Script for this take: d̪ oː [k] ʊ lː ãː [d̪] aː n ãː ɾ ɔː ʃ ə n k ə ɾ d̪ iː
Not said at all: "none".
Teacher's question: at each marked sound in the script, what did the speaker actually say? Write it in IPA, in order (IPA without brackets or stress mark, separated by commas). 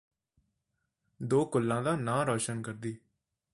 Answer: k, d̪